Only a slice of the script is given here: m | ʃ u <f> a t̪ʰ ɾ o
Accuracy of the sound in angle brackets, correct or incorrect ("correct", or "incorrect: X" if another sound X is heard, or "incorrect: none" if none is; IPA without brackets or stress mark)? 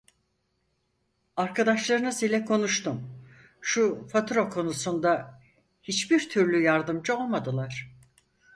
correct